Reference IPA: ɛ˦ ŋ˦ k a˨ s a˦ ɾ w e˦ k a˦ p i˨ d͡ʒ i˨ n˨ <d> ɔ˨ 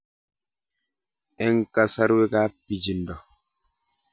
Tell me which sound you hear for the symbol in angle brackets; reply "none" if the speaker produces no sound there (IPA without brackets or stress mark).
d